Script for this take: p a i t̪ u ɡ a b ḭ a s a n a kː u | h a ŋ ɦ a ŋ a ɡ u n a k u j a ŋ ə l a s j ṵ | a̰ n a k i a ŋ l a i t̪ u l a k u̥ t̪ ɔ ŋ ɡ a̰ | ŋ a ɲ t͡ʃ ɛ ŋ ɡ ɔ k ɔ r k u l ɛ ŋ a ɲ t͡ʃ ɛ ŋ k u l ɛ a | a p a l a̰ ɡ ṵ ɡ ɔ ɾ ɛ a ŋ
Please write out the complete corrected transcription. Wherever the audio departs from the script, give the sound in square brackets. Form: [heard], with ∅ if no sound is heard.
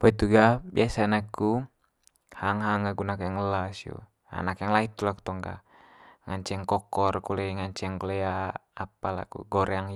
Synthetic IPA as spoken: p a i t̪ u ɡ a b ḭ a s a n a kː u | h a ŋ ɦ a ŋ a ɡ u n a k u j a ŋ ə l a s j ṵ | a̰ n a k [j] a ŋ l a i t̪ u l a k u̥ t̪ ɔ ŋ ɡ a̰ | ŋ a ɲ t͡ʃ ɛ ŋ [k] ɔ k ɔ r k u l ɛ ŋ a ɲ t͡ʃ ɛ ŋ k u l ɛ a | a p a l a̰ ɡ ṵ ɡ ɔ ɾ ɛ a ŋ